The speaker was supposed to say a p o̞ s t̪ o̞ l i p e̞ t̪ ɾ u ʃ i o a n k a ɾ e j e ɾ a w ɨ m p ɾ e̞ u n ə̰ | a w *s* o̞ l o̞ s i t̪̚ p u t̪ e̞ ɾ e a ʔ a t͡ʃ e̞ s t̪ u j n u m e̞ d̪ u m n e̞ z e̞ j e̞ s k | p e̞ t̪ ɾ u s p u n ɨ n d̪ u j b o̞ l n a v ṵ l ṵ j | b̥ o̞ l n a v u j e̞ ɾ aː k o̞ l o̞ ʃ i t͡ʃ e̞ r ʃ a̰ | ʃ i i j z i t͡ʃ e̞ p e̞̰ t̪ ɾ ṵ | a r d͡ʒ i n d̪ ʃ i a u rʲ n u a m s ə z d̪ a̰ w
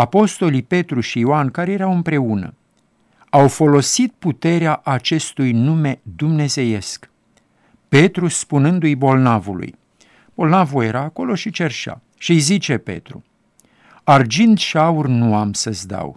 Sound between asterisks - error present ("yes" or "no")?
yes